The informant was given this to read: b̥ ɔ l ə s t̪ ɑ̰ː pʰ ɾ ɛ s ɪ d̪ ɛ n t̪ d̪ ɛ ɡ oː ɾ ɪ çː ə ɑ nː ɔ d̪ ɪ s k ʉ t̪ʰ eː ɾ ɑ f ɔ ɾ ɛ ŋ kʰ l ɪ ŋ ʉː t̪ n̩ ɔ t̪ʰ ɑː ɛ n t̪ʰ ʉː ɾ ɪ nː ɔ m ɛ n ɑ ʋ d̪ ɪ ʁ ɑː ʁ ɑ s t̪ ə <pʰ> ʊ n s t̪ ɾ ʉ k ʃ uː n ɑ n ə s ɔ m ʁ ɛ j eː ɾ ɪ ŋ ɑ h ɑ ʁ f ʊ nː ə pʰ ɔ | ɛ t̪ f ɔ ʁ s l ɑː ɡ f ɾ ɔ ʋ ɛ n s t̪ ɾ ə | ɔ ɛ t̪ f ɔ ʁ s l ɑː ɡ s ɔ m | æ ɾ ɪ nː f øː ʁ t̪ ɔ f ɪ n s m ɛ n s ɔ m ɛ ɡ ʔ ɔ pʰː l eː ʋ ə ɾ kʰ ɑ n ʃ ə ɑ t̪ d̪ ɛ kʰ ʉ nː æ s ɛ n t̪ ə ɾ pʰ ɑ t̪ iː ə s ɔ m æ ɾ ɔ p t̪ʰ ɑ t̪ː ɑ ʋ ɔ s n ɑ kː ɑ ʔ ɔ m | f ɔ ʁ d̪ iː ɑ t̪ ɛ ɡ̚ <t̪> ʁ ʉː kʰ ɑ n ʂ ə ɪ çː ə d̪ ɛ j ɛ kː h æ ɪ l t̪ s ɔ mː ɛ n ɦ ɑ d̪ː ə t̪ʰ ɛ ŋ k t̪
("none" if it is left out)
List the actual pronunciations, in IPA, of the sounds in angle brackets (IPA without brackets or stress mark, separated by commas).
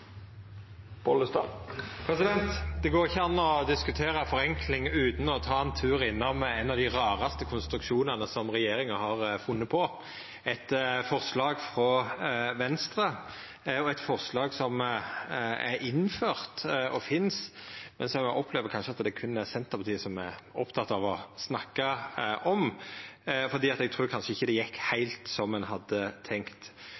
kʰ, t̪ʰ